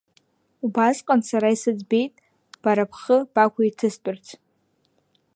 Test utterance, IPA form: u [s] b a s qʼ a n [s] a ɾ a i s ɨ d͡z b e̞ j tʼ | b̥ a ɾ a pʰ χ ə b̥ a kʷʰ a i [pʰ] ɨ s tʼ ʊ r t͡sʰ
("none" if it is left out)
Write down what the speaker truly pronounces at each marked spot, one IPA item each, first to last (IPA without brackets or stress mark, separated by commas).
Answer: none, s, tʰ